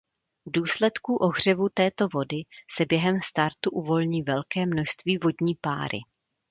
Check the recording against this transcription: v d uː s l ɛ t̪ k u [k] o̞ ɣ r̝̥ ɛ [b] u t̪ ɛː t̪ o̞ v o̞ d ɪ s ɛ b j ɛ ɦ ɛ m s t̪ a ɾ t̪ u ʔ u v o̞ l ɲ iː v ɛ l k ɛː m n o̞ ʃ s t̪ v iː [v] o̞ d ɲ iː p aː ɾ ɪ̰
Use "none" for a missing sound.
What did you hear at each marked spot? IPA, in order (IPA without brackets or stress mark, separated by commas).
ʔ, v, v